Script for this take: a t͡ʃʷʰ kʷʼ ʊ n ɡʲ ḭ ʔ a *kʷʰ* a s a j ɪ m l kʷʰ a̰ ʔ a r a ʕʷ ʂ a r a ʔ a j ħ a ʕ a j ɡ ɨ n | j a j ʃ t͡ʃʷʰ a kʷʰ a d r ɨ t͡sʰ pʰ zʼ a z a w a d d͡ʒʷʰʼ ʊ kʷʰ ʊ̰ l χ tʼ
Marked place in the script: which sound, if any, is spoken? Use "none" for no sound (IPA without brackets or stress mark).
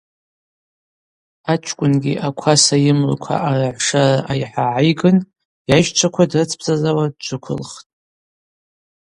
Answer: kʷʰ